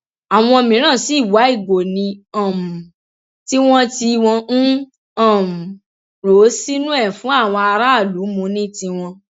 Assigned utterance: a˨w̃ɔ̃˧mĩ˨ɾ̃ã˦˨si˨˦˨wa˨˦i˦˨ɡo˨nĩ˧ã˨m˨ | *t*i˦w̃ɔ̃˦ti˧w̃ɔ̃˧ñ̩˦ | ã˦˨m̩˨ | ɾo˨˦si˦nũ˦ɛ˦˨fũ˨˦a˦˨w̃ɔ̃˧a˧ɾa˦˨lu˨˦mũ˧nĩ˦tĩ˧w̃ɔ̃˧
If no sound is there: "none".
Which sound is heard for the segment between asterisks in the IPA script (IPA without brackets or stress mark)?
t